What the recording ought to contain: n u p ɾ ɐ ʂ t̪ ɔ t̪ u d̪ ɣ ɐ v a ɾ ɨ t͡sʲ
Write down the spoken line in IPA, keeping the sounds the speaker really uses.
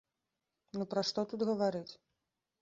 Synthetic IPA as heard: n u p ɾ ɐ ʂ t̪ ɔ t̪ u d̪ ɣ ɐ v a ɾ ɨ t͡sʲ